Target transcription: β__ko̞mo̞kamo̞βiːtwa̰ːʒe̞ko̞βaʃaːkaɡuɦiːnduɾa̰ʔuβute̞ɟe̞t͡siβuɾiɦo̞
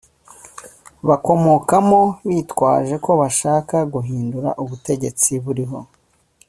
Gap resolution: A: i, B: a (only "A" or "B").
B